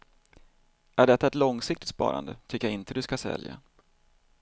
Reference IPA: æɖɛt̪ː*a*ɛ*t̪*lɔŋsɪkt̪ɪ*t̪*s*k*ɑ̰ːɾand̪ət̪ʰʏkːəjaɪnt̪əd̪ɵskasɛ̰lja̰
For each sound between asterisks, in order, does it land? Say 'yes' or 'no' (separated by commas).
yes, yes, yes, no